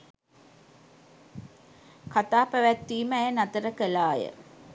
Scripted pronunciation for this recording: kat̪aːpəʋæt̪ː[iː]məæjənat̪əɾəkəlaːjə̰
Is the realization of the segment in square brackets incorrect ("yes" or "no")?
no